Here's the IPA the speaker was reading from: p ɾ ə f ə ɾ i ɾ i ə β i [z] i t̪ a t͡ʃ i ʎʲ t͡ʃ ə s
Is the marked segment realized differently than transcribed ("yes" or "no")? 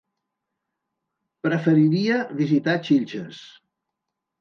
no